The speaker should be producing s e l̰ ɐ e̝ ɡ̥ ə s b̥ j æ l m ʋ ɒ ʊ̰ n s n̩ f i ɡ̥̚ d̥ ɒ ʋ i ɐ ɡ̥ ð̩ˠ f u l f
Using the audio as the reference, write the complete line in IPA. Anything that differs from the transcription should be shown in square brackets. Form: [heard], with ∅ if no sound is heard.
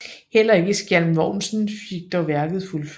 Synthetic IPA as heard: [h] e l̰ ɐ e̝ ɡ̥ ə s [ɡ̥] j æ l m ʋ ɒ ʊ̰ n s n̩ f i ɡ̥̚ d̥ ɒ ʋ [æ] ɐ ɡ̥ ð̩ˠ f u l f